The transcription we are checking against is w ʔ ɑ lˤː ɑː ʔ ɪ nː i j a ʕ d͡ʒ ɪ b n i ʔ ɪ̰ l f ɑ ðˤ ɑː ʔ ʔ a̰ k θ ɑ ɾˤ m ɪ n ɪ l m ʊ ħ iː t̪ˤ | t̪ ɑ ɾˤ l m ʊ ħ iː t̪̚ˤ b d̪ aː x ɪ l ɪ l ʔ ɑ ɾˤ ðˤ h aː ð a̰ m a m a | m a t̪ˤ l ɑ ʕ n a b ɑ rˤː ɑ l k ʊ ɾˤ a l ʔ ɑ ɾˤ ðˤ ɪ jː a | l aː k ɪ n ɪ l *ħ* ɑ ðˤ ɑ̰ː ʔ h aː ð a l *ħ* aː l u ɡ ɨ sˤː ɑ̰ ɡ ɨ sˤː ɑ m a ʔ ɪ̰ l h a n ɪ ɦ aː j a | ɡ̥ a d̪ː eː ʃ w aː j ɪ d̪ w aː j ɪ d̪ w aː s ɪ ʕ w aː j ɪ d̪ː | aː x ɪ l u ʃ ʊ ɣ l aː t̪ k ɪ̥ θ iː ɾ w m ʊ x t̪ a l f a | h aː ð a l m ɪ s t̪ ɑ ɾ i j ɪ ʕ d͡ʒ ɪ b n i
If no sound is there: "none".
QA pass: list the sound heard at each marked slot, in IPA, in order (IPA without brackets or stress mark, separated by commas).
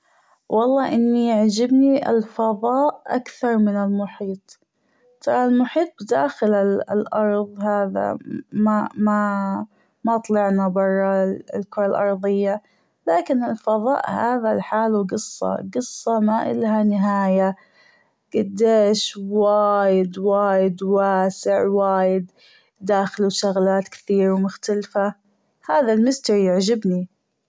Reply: f, ħ